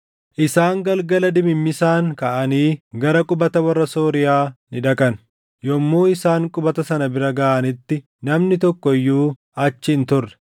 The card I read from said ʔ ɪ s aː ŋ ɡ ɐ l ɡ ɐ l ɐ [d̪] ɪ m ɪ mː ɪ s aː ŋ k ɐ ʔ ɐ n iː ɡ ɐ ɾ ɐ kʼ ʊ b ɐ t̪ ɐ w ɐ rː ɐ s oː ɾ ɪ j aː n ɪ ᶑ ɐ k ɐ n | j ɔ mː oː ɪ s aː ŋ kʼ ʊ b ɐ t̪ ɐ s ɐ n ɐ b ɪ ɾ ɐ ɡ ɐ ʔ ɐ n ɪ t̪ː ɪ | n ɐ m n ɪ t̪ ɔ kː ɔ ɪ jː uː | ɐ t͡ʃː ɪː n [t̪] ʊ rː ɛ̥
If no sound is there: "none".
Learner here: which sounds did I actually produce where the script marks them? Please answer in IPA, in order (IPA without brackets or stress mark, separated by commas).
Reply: d̪, t̪